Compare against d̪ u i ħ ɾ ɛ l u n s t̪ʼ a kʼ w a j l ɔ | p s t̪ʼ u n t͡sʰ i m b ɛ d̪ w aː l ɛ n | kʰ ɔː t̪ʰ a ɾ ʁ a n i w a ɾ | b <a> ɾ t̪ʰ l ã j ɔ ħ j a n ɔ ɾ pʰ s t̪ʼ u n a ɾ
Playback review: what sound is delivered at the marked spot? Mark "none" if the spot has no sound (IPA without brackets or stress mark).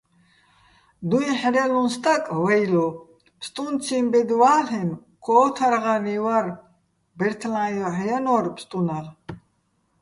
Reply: ɛ